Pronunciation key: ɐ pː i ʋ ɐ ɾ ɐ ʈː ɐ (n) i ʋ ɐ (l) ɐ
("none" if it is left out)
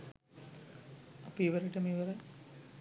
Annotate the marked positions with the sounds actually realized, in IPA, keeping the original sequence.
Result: m, ɾ

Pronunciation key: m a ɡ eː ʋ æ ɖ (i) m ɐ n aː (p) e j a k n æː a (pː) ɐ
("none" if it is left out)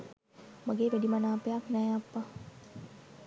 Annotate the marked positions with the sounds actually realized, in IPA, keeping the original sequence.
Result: i, p, pː

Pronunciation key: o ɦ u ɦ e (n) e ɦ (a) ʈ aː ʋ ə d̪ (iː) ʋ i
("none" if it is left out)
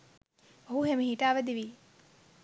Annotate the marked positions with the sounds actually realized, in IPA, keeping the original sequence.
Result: m, i, i

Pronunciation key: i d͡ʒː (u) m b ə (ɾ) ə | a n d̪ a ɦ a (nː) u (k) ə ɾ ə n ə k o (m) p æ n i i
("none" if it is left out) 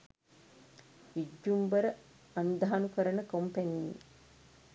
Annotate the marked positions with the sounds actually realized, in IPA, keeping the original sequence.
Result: u, ɾ, n, k, m

